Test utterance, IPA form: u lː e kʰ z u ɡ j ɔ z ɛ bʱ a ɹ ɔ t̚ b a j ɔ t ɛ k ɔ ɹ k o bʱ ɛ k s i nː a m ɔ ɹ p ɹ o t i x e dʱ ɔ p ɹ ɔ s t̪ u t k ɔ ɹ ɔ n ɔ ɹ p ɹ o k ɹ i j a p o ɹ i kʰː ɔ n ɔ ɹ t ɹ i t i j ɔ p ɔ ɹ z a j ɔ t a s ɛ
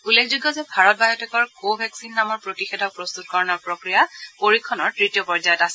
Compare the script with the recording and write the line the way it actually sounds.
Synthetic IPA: u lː e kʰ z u ɡ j ɔ z ɛ bʱ a ɹ ɔ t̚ b a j ɔ t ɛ k ɔ ɹ k o bʱ ɛ k s i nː a m ɔ ɹ p ɹ o t i x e dʱ ɔ p ɹ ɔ s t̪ u t k ɔ ɹ ɔ n ɔ ɹ p ɹ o k ɹ i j a p o ɹ i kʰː ɔ n ɔ ɹ t ɹ i t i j ɔ p ɔ ɹ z a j ɔ t a s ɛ

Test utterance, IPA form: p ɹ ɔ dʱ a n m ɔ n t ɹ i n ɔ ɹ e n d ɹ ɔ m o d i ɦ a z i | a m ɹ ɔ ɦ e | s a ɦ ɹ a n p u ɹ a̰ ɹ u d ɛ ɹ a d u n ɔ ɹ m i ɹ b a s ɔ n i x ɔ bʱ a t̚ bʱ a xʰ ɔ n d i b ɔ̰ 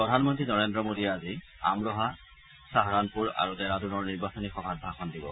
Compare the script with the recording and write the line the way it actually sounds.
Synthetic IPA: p ɹ ɔ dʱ a n m ɔ n t ɹ i n ɔ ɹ e n d ɹ ɔ m o d i a z i | a m ɹ ɔ ɦ a | s a ɦ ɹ a n p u ɹ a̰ ɹ u d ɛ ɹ a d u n ɔ ɹ n i ɹ b a s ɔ n i x ɔ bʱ a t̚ bʱ a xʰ ɔ n d i b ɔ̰

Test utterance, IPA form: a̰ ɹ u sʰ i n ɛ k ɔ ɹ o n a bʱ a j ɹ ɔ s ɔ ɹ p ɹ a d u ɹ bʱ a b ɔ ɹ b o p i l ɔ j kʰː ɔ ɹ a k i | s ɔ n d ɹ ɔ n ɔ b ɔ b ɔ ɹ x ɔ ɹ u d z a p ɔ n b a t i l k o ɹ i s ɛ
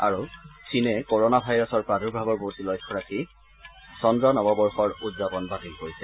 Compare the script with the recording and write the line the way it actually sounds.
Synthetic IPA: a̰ ɹ u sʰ i n ɛ k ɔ ɹ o n a bʱ a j ɹ ɔ s ɔ ɹ p ɹ a d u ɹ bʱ a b ɔ ɹ b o t i l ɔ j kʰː ɔ ɹ a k i | s ɔ n d ɹ ɔ n ɔ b ɔ b ɔ ɹ x ɔ ɹ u d z a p ɔ n b a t i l k o ɹ i s ɛ

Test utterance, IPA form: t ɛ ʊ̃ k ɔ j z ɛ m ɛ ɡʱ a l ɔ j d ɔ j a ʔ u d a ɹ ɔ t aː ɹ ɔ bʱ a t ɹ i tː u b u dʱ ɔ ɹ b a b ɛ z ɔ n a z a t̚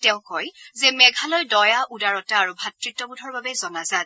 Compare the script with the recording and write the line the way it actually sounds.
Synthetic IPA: t ɛ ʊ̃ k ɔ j z ɛ m ɛ ɡʱ a l ɔ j d ɔ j a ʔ u d a ɹ ɔ t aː ɹ u bʱ a t ɹ i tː ɔ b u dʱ ɔ ɹ b a b ɛ z ɔ n a z a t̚

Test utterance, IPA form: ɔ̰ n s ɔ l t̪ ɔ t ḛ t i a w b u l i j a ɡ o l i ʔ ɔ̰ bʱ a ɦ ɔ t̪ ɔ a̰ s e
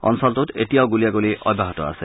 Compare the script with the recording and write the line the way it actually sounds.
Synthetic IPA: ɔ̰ n s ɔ l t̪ u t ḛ t i a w ɡ u l i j a ɡ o l i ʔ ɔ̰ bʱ a ɦ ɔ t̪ ɔ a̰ s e

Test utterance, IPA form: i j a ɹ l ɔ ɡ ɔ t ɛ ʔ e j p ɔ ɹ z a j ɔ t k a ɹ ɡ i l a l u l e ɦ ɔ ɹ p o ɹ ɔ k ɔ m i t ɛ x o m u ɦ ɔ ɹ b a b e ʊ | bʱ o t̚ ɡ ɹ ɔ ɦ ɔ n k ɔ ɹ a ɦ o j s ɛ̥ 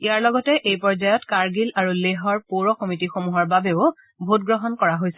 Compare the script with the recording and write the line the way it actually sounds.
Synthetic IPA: i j a ɹ l ɔ ɡ ɔ t ɛ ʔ e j p ɔ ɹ z a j ɔ t k a ɹ ɡ i l a ɹ u l e ɦ ɔ ɹ p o ɹ ɔ k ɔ m i t i x o m u ɦ ɔ ɹ b a b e ʊ | bʱ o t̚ ɡ ɹ ɔ ɦ ɔ n k ɔ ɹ a ɦ o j s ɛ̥

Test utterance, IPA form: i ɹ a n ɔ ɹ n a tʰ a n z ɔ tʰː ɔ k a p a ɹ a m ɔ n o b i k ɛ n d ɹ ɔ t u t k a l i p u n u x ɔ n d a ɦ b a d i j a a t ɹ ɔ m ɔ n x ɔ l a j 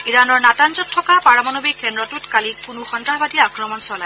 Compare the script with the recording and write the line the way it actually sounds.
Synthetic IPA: i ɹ a n ɔ ɹ n a t a n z ɔ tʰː ɔ k a p a ɹ a m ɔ n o b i k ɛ n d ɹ ɔ t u t k a l i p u n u x ɔ n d a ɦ b a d i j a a k ɹ ɔ m ɔ n s ɔ l a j

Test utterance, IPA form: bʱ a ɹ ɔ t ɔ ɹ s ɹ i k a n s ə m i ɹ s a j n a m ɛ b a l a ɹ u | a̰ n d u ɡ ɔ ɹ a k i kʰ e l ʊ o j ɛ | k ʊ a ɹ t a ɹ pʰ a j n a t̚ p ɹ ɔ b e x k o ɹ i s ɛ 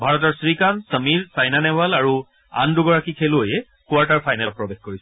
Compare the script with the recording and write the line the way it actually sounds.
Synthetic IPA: bʱ a ɹ ɔ t ɔ ɹ s ɹ i k a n s ə m i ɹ s a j n a n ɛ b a l a ɹ u | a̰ n d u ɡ ɔ ɹ a k i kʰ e l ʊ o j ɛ | k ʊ a ɹ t a ɹ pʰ a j n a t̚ p ɹ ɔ b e x k o ɹ i s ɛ

